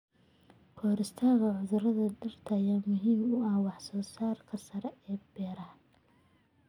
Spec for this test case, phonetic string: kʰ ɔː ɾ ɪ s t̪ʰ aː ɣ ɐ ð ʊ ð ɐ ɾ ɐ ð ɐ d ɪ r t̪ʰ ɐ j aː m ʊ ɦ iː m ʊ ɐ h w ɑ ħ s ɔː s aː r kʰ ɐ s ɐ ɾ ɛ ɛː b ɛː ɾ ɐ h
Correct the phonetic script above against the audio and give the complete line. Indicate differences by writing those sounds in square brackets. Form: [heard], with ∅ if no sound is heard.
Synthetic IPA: kʰ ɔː ɾ ɪ s t̪ʰ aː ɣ ɐ [ʕ] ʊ ð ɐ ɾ ɐ ð ɐ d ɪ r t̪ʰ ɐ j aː m ʊ ɦ iː m ʊ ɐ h w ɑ ħ s ɔː s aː r kʰ ɐ s ɐ ɾ ɛ ɛː b ɛː ɾ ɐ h